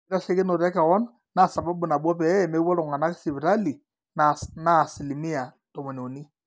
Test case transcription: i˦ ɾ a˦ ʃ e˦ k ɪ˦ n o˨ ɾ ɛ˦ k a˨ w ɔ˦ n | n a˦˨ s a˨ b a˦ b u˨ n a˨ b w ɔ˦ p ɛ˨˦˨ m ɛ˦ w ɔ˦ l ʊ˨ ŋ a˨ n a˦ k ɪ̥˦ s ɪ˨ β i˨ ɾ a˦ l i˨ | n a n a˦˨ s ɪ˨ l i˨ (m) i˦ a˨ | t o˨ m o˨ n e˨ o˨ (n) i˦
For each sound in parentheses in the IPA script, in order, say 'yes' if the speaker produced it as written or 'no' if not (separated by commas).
yes, yes